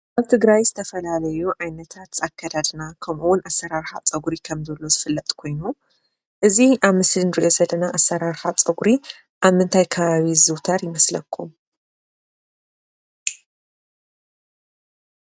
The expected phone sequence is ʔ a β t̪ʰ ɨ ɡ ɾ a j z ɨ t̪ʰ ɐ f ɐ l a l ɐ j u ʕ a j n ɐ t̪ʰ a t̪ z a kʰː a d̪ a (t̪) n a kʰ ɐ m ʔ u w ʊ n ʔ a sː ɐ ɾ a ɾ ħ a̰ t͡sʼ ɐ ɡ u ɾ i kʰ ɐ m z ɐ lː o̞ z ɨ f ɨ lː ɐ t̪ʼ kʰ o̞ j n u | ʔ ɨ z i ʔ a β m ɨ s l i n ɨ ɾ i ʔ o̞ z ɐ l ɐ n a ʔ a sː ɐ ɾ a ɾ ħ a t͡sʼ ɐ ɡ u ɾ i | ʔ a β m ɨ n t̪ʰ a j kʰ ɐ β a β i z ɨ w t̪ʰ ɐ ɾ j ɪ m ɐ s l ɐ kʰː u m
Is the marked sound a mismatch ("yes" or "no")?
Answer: yes